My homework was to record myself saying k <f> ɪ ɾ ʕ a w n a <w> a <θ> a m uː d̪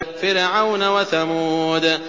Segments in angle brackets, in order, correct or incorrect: correct, correct, correct

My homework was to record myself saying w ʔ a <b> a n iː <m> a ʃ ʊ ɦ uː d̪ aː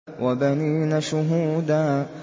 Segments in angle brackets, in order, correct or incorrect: correct, incorrect

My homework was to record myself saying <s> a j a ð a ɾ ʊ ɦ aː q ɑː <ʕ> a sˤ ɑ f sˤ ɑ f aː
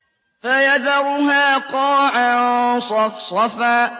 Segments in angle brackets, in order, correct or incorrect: incorrect, correct

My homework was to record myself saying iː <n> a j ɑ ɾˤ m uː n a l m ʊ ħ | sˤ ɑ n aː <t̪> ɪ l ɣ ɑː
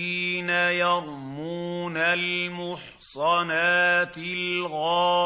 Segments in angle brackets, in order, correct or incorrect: correct, correct

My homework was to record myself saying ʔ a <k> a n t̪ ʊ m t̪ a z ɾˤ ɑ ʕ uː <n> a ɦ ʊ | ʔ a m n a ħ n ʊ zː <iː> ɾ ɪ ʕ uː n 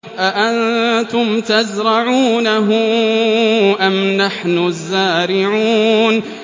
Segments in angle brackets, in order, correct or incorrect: incorrect, correct, incorrect

